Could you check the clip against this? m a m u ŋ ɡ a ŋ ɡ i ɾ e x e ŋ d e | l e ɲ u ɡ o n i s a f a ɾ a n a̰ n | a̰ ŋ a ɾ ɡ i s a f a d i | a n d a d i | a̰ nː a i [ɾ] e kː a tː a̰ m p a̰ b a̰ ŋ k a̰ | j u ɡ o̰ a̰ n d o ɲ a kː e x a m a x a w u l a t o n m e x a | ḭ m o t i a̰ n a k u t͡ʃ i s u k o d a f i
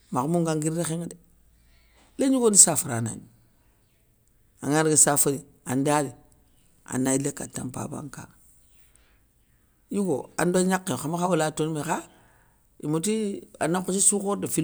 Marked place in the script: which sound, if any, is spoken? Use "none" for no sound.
l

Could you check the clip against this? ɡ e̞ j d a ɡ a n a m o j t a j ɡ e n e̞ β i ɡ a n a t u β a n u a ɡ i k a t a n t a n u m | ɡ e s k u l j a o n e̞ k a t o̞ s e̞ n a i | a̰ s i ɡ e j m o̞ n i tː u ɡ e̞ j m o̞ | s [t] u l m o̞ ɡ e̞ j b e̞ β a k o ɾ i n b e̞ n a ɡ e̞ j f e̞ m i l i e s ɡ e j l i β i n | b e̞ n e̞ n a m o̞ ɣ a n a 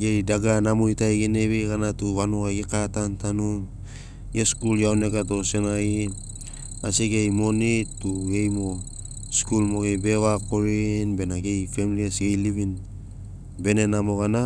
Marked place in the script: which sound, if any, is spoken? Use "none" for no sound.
k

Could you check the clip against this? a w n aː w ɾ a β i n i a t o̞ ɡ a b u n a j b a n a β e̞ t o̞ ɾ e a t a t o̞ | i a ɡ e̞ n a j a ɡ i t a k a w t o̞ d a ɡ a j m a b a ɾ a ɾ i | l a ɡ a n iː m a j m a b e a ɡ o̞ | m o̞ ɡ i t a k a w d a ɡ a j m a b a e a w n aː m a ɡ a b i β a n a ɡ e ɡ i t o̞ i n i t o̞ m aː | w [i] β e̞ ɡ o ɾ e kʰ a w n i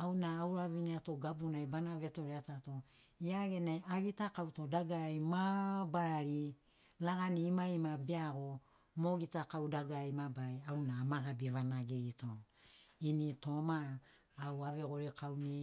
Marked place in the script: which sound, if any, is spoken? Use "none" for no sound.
a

